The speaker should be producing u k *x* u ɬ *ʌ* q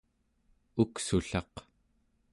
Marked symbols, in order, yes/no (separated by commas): no, no